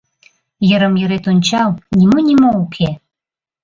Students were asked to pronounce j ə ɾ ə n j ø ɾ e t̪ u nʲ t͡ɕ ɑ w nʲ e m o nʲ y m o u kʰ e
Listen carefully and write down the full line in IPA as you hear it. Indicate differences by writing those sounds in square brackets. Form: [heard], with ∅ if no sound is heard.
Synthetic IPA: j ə ɾ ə [m] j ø ɾ e t̪ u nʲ t͡ɕ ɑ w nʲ [i] m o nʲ [i] m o u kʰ e